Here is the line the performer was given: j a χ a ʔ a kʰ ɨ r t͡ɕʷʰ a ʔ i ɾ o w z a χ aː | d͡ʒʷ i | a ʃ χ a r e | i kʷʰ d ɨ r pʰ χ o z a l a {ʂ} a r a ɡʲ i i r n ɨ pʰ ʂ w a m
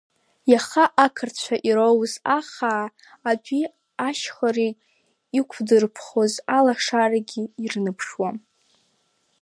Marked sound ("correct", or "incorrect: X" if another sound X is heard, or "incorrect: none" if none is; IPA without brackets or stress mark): correct